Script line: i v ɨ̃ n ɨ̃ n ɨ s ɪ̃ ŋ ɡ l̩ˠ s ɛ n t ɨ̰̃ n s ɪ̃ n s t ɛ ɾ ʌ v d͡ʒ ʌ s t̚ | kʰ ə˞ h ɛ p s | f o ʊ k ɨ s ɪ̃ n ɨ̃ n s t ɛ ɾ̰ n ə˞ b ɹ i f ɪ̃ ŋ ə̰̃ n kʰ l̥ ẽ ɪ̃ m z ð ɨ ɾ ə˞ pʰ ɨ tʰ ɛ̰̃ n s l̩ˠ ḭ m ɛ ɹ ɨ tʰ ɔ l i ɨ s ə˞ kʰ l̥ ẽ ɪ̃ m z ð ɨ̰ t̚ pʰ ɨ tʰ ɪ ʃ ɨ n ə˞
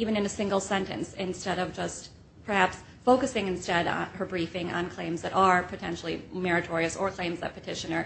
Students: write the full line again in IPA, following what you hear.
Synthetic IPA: i v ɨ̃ n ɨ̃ n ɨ s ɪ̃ ŋ ɡ l̩ˠ s ɛ̃ n t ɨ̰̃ n s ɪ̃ n s t ɛ ɾ ʌ v d͡ʒ ʌ s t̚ | pʰ ə˞ h æ p s | f o ʊ k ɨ s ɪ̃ ŋ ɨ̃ n s t ɛ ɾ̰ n ə˞ b ɹ i f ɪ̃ ŋ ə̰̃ n kʰ l̥ ẽ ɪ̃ m z ð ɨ ɾ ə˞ pʰ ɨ tʰ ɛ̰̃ n ʃ l̩ˠ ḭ m ɛ ɹ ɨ tʰ ɔ ɹ i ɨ s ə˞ kʰ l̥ ẽ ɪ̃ m z ð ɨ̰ t̚ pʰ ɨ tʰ ɪ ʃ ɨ n ə˞